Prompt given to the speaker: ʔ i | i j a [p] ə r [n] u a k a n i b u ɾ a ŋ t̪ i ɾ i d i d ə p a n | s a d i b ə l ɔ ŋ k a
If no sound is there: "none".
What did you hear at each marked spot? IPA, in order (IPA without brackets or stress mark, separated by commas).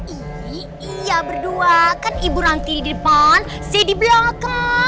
b, d